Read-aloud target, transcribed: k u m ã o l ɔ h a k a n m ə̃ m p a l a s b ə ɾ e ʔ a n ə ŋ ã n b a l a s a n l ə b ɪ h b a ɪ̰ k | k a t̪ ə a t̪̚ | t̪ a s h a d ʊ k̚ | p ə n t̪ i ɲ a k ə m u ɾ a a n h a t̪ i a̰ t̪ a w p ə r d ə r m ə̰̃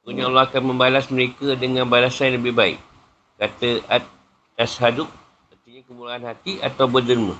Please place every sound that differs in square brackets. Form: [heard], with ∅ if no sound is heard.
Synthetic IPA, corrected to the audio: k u [ɲ] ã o l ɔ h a k a n m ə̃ m [b] a l a s [m] ə ɾ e [k] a [d] ə ŋ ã n b a l a s a n l ə b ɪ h b a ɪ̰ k | k a t̪ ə a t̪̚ | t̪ a s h a d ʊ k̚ | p ə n t̪ i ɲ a k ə m u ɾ a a n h a t̪ i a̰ t̪ a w [b] ə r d ə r m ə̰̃